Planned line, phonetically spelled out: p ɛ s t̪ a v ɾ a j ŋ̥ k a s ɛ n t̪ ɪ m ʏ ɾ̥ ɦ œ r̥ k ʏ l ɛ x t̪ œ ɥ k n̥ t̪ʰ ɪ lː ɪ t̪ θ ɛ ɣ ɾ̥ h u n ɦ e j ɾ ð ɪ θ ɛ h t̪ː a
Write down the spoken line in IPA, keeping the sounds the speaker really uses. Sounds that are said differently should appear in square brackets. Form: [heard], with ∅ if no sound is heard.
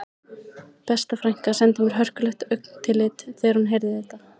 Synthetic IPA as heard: p ɛ s t̪ a [f] ɾ a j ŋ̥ k a s ɛ n t̪ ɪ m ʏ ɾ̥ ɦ œ r̥ k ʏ l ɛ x t̪ œ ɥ k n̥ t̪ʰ ɪ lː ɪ t̪ θ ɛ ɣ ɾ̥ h u n ɦ e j ɾ ð ɪ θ ɛ h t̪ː a